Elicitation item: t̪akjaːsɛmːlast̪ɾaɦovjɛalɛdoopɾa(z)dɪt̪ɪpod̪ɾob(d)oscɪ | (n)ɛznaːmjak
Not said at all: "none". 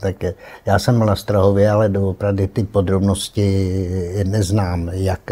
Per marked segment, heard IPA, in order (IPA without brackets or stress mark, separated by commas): v, n, n